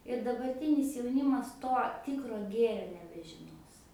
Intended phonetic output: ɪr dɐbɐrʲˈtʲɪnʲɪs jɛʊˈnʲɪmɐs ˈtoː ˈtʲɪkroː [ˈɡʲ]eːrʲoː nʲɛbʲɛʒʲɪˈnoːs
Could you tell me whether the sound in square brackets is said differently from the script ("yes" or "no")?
no